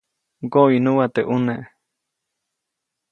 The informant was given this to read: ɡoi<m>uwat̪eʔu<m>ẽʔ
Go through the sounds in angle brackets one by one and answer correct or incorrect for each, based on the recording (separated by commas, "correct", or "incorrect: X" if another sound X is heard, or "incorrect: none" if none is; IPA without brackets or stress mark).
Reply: incorrect: n, incorrect: n